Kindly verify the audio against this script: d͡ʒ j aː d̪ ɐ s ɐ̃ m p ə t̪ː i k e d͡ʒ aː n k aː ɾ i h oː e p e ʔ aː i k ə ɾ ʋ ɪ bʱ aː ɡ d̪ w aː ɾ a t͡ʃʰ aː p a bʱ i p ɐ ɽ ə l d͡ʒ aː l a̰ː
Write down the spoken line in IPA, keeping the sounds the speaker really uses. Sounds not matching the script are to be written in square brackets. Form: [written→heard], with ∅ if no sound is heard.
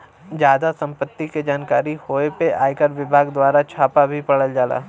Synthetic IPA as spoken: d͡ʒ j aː d̪ [ɐ→a] s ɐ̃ m p ə t̪ː i k e d͡ʒ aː n k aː ɾ i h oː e p e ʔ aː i k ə ɾ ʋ ɪ bʱ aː ɡ d̪ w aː ɾ a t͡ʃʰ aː p a bʱ i p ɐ ɽ ə l d͡ʒ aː l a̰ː

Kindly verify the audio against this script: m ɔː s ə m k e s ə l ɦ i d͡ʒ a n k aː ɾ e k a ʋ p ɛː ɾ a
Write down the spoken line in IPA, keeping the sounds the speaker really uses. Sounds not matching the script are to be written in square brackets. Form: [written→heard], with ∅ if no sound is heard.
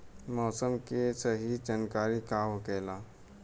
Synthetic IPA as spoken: m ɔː s ə m k e s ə [l→∅] ɦ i d͡ʒ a n k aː ɾ [e→i] k a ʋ [p→k] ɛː [ɾ→l] a

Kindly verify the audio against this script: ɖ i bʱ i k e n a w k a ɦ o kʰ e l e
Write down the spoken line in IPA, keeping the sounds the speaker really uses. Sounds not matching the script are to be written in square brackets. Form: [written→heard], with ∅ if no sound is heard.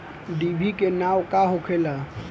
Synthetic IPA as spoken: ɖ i bʱ i k e n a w k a ɦ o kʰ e l [e→a]

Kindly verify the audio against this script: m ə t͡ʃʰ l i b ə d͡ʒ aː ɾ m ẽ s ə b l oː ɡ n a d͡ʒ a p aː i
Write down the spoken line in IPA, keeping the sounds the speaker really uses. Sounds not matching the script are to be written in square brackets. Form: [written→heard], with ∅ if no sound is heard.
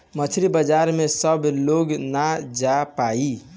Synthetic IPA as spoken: m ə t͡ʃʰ [l→ɾ] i b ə d͡ʒ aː ɾ m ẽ s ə b l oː ɡ n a d͡ʒ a p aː i

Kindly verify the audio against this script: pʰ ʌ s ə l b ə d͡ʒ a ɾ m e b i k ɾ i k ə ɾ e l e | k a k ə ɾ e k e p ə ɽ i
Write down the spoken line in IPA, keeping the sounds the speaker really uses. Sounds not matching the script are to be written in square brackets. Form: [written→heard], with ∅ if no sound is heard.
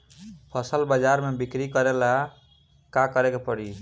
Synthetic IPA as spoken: pʰ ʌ s ə l b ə d͡ʒ a ɾ m e b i k ɾ i k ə ɾ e l [e→a] | k a k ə ɾ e k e p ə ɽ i

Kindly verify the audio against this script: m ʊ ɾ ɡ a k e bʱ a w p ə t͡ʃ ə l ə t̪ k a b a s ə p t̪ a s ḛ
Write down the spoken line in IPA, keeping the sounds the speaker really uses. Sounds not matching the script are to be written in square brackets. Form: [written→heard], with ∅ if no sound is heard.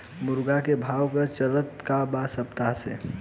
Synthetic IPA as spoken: m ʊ ɾ ɡ a k e bʱ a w [p→k] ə t͡ʃ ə l ə t̪ k a b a s ə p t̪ a s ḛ

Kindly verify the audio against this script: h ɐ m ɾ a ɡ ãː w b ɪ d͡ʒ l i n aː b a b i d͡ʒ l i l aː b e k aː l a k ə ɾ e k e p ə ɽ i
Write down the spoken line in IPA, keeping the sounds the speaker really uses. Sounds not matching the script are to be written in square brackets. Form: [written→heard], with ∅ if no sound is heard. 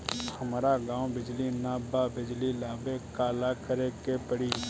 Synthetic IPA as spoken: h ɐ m ɾ a ɡ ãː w b ɪ d͡ʒ l i n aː b a b [i→ɪ] d͡ʒ l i l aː b e k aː l a k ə ɾ e k e p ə ɽ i

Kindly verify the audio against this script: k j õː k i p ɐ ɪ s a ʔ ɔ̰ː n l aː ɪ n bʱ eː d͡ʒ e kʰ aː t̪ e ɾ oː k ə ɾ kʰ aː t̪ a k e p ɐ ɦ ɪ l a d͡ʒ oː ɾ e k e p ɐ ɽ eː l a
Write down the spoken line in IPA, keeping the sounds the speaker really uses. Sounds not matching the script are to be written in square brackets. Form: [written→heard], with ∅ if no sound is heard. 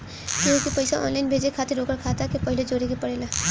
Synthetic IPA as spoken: k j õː k i p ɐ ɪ s a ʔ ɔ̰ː n l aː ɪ n bʱ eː d͡ʒ e kʰ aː t̪ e ɾ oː k ə ɾ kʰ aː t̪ a k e p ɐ ɦ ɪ l [a→e] d͡ʒ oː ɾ e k e p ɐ ɽ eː l a

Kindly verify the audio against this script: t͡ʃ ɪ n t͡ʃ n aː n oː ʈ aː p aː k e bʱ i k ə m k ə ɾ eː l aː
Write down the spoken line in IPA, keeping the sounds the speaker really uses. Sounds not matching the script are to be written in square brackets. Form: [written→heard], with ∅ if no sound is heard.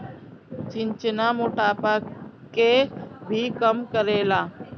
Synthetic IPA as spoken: t͡ʃ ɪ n t͡ʃ n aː [n→m] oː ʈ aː p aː k e bʱ i k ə m k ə ɾ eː l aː

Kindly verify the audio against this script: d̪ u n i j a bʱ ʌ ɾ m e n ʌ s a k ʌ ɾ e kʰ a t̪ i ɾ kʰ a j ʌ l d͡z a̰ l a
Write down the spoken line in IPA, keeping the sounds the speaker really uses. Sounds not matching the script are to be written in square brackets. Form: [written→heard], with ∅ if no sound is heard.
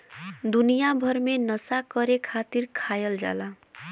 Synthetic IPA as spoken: d̪ u n i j a bʱ ʌ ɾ m e n ʌ s a k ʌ ɾ e kʰ a t̪ i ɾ kʰ a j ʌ l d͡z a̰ l a

